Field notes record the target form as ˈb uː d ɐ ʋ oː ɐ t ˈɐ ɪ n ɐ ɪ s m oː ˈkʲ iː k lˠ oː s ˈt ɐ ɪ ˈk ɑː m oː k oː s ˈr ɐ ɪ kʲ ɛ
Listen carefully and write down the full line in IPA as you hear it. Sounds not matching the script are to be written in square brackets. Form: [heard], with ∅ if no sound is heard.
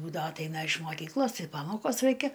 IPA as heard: ˈb uː d ɐ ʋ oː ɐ t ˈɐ ɪ n ɐ ɪ [ʃ] m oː ˈkʲ iː k lˠ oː s ˈt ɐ ɪ [ˈp] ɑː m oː k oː s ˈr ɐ ɪ kʲ ɛ